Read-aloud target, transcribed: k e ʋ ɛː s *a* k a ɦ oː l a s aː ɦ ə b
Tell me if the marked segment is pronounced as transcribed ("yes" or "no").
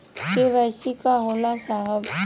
no